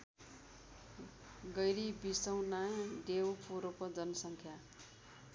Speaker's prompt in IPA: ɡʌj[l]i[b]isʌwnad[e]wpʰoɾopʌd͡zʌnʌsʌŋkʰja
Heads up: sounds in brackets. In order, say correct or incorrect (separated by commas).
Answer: incorrect, correct, correct